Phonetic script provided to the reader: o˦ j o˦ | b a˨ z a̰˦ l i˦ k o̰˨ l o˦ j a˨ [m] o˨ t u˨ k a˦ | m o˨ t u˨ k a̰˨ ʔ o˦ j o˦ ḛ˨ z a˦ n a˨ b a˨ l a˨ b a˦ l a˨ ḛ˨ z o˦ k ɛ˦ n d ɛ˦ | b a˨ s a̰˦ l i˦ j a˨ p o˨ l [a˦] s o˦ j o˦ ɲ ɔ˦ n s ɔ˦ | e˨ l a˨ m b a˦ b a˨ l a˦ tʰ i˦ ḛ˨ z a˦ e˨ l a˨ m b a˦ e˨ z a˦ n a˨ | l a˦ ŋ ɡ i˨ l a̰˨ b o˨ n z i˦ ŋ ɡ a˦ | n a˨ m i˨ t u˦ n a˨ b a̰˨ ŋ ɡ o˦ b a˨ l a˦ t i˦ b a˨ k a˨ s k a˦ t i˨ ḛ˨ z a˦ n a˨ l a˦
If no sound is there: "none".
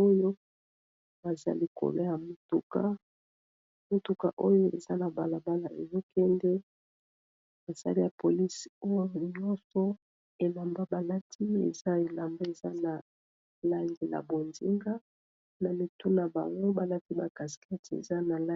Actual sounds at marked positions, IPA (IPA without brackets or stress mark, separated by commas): m, i˦